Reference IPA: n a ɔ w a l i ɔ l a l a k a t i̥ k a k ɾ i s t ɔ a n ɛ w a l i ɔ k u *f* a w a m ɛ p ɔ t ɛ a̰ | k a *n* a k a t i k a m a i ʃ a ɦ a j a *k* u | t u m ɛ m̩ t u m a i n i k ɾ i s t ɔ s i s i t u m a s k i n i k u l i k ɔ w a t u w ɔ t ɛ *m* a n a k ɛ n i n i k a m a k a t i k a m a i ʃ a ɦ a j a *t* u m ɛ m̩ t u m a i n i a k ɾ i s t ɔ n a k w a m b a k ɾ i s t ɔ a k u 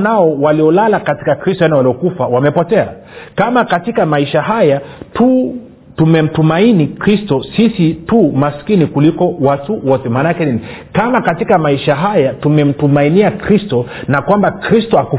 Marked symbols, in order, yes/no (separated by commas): yes, no, no, yes, yes